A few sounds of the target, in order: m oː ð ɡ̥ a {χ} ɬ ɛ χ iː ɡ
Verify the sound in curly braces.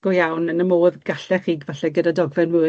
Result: incorrect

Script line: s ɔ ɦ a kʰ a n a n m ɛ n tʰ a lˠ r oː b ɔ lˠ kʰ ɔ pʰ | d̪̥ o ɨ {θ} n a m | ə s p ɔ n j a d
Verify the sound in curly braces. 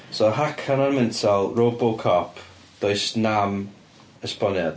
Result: incorrect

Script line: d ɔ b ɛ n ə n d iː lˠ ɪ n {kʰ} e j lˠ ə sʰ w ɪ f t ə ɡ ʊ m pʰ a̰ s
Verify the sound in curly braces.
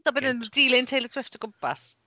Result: incorrect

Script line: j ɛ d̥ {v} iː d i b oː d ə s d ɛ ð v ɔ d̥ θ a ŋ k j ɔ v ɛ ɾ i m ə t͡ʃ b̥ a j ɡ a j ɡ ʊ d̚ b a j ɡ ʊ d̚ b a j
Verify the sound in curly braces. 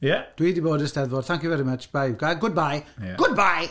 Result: incorrect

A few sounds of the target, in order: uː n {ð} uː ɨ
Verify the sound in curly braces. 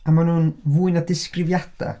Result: incorrect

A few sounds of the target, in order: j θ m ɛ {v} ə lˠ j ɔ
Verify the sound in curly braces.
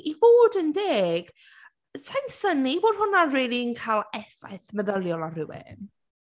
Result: incorrect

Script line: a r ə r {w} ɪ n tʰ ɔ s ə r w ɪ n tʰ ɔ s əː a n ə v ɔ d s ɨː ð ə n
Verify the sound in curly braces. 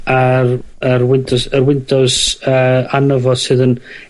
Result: correct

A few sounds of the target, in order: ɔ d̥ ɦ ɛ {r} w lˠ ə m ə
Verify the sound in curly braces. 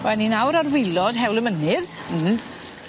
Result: incorrect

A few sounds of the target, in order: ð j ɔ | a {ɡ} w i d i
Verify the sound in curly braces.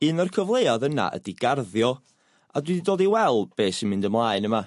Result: incorrect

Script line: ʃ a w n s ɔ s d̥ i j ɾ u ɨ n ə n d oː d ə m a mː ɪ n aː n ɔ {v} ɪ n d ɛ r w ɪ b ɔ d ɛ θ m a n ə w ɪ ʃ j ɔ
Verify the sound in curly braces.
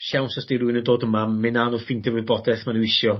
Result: incorrect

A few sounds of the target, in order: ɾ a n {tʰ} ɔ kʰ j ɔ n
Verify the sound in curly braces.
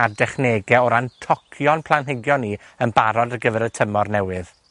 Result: correct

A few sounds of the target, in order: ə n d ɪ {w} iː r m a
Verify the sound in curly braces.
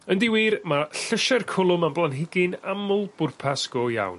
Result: correct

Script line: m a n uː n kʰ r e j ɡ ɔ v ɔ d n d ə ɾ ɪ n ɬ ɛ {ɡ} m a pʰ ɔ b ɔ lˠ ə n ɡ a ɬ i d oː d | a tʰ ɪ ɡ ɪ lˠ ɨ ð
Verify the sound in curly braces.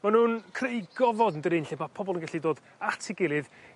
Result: incorrect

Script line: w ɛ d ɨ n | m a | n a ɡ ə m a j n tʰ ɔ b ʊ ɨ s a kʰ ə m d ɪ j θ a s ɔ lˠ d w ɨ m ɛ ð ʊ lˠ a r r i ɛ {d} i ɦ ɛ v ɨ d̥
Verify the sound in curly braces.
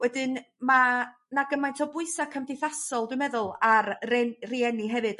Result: incorrect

